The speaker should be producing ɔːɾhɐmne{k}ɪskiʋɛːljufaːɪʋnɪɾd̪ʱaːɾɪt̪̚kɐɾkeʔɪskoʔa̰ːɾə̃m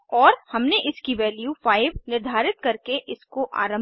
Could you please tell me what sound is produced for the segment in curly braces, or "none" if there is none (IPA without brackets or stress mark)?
ʔ